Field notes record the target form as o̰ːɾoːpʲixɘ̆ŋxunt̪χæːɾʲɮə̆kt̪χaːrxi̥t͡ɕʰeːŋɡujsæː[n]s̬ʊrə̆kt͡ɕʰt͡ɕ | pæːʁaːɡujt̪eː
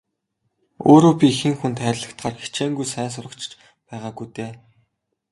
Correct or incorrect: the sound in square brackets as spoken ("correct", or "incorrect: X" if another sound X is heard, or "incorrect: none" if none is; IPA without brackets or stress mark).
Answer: correct